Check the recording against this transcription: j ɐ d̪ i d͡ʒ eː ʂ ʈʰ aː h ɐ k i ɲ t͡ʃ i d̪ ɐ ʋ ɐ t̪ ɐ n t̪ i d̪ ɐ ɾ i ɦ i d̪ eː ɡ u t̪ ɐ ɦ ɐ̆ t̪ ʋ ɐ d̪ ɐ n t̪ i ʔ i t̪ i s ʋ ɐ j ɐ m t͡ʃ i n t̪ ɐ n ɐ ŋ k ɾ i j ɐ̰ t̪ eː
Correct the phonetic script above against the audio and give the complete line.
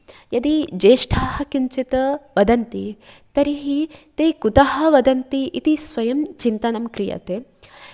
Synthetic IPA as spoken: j ɐ d̪ i d͡ʒ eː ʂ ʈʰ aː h ɐ k i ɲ t͡ʃ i t̪ ɐ ʋ ɐ d̪ ɐ n t̪ i t̪ ɐ ɾ i ɦ i t̪ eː k u t̪ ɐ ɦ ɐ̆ ʋ ɐ d̪ ɐ n t̪ i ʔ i t̪ i s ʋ ɐ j ɐ m t͡ʃ i n t̪ ɐ n ɐ m k ɾ i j ɐ̰ t̪ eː